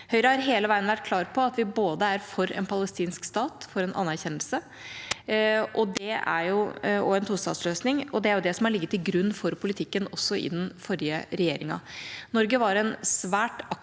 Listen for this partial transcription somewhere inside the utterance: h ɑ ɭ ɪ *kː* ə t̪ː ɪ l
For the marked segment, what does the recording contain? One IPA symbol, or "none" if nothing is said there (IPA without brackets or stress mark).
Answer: ɡː